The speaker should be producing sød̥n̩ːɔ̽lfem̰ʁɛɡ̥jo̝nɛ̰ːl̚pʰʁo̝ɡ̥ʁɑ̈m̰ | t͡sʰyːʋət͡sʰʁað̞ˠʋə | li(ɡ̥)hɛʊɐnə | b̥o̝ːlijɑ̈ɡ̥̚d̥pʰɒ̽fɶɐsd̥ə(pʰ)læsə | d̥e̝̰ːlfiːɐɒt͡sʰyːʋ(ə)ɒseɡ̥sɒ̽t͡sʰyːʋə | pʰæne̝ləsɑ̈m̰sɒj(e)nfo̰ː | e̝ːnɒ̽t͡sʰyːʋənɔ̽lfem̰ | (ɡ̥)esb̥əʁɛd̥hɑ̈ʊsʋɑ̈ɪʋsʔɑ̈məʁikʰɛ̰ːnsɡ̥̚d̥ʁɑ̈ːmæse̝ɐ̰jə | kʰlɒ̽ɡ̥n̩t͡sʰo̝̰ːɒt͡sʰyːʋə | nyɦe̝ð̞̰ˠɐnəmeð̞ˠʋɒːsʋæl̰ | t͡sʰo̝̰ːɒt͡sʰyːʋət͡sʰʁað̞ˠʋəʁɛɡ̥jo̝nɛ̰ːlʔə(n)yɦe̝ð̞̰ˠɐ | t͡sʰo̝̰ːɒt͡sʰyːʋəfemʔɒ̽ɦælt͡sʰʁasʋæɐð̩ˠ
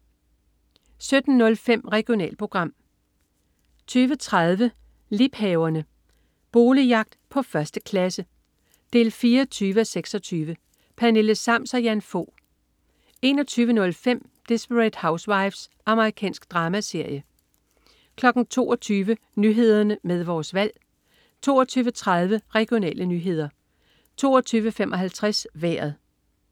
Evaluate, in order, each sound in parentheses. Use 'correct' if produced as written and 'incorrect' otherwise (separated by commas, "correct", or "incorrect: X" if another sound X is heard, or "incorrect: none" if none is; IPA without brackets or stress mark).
incorrect: b̥, incorrect: kʰ, correct, incorrect: æ, incorrect: d̥, correct